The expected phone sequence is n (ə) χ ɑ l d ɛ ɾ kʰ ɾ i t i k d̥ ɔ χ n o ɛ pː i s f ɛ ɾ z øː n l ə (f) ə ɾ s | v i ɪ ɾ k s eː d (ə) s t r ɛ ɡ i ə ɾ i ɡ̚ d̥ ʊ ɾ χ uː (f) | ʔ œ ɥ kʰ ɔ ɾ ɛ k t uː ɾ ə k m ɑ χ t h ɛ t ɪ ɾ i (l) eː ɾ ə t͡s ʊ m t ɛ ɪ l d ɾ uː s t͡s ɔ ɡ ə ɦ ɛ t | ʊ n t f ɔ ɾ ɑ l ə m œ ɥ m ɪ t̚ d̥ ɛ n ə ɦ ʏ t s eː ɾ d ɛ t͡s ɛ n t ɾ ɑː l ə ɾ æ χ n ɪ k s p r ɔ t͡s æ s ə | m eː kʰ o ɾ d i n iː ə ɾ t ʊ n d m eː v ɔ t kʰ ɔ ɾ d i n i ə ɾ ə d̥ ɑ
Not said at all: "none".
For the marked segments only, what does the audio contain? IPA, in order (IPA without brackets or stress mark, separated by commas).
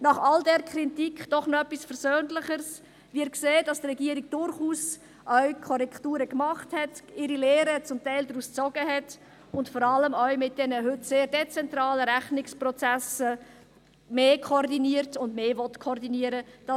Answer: ɑ, χ, ɑ, s, l